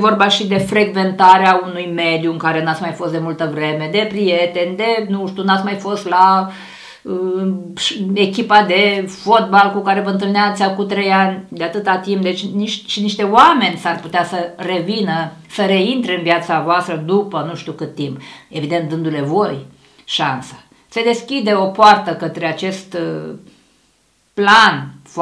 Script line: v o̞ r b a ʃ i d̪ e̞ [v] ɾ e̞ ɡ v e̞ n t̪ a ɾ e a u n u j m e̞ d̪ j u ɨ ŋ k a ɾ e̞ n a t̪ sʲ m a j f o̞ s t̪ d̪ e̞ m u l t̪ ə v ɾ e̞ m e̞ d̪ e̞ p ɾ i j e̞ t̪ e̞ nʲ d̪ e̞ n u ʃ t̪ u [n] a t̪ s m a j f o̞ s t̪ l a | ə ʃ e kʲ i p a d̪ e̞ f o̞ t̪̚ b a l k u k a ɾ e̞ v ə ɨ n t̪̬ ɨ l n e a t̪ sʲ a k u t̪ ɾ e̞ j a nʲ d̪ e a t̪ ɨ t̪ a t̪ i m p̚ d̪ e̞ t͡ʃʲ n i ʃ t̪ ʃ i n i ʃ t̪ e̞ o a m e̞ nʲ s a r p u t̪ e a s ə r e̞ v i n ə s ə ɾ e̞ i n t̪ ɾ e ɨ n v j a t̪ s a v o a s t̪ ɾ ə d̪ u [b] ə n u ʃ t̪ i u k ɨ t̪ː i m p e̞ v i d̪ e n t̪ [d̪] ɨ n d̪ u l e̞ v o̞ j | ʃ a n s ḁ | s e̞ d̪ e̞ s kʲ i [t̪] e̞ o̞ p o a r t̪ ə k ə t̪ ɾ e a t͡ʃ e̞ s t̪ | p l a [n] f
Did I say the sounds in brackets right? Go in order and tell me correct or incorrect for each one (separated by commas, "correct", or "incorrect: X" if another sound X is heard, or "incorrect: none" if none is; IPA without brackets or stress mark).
incorrect: f, correct, incorrect: p, correct, incorrect: d̪, correct